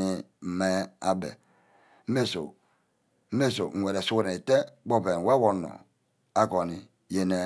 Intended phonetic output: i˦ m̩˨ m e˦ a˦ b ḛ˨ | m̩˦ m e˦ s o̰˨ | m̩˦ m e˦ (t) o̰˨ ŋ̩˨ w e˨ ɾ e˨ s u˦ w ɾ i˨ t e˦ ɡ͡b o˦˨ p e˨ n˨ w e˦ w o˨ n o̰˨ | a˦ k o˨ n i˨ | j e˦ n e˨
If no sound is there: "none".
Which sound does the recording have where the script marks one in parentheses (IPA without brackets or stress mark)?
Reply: s